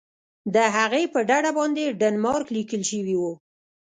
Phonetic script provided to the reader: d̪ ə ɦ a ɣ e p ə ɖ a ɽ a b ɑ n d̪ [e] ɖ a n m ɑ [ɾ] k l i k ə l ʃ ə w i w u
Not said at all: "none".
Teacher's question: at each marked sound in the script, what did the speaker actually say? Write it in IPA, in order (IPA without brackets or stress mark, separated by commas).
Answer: e, ɾ